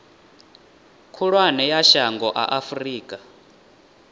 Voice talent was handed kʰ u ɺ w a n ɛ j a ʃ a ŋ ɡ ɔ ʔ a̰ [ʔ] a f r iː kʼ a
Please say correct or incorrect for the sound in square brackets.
correct